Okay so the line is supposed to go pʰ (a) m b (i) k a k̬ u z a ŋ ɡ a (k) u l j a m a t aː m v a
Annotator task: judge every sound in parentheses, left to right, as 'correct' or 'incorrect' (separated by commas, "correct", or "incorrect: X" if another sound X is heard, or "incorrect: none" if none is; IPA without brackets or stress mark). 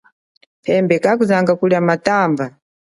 incorrect: ɛ, incorrect: ɛ, correct